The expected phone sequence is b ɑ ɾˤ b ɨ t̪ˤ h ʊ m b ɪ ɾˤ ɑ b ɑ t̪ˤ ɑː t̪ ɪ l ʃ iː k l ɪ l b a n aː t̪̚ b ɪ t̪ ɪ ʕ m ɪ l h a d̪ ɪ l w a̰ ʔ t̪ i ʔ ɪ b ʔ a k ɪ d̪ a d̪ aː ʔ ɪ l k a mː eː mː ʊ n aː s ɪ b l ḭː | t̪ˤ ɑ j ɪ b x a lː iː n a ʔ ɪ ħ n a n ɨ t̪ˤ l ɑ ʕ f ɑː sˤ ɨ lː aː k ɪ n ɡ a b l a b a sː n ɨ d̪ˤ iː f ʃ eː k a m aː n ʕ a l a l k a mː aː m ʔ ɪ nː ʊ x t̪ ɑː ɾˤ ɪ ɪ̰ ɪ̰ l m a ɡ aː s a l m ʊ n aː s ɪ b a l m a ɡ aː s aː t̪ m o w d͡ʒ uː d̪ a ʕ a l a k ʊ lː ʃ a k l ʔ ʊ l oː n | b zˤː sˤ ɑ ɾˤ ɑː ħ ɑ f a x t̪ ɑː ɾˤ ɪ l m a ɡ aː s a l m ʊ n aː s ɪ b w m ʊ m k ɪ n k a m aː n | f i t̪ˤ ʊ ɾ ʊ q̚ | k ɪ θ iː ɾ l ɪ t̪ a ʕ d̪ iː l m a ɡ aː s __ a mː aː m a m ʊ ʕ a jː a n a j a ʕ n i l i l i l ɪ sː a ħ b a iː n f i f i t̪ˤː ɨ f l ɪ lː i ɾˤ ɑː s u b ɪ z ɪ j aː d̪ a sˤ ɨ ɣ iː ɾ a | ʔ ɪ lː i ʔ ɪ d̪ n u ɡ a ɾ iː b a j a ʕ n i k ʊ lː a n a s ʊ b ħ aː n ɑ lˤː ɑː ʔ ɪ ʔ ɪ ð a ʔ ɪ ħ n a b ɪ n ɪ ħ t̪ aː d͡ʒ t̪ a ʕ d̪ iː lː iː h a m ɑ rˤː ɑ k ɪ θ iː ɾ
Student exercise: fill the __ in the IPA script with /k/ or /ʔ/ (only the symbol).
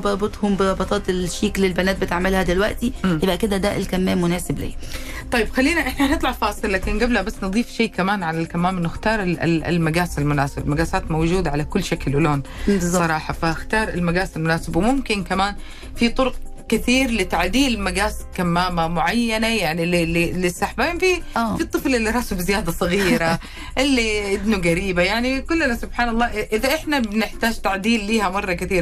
k